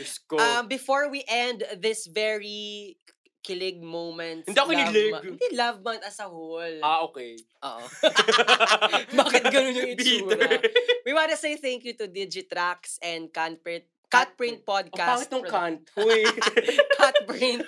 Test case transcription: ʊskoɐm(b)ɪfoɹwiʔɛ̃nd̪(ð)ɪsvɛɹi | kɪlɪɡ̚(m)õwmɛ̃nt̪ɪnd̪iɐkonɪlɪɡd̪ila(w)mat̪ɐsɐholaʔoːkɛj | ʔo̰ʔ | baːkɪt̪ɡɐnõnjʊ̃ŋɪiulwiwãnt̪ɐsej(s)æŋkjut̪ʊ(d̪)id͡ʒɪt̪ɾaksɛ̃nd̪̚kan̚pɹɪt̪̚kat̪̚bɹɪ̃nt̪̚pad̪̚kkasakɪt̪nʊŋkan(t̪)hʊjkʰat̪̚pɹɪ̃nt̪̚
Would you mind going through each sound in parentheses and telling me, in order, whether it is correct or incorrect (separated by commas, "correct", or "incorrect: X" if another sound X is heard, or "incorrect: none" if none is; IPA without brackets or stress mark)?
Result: correct, correct, correct, incorrect: v, incorrect: θ, correct, correct